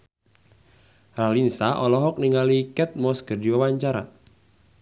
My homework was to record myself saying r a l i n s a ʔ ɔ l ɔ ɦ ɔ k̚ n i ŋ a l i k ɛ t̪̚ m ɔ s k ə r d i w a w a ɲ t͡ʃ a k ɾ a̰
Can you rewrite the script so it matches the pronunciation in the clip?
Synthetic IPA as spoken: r a l i n s a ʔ ɔ l ɔ ɦ ɔ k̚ n i ŋ a l i k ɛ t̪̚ m ɔ s k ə r d i w a w a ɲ t͡ʃ a ɾ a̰